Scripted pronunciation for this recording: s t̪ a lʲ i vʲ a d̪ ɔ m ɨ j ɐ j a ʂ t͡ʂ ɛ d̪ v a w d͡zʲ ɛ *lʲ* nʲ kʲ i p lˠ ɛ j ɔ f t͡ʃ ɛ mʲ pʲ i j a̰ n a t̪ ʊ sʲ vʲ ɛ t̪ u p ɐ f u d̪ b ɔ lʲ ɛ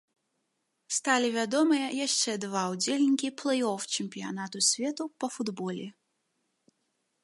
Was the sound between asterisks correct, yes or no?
yes